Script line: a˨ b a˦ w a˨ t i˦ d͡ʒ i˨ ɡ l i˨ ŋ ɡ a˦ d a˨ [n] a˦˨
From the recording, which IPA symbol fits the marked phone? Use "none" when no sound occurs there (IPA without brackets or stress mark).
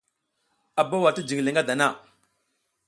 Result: n